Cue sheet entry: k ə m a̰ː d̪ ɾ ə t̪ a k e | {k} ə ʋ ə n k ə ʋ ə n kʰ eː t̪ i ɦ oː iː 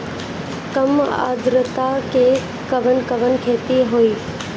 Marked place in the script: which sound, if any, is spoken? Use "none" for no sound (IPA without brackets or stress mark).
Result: k